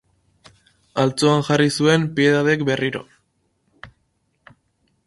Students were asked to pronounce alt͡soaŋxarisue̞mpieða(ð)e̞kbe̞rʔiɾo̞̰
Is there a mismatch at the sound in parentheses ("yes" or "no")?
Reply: no